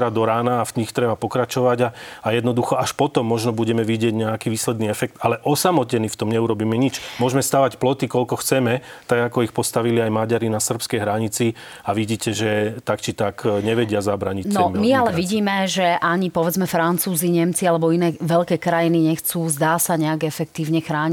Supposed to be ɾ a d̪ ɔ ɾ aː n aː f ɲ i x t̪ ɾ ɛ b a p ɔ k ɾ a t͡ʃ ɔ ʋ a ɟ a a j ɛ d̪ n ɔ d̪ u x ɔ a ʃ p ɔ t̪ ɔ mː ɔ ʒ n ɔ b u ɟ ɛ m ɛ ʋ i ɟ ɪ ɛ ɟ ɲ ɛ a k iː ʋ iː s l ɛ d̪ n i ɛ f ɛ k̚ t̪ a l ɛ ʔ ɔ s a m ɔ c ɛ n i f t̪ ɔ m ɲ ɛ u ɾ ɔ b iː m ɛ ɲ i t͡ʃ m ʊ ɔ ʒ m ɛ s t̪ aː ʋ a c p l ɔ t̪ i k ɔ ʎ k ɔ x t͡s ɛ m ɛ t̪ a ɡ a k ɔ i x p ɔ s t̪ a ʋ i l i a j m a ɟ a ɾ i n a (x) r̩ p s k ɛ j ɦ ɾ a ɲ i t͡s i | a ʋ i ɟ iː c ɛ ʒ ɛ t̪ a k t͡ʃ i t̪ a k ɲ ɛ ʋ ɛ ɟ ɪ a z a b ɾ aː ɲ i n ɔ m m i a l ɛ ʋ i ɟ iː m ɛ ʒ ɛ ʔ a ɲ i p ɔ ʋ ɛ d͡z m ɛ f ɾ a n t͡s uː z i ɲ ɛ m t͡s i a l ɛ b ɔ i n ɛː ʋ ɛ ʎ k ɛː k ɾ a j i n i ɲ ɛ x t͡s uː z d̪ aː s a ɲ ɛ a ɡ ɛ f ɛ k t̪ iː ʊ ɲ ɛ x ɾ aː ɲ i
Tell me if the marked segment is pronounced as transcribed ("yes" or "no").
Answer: no